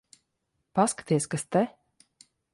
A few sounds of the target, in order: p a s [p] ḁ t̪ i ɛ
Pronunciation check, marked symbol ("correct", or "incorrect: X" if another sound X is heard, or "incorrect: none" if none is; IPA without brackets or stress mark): incorrect: k